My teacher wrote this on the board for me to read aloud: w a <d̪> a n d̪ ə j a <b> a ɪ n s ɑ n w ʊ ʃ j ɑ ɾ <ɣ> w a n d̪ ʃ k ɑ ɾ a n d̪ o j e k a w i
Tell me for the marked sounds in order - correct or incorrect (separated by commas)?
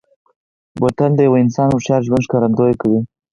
incorrect, incorrect, incorrect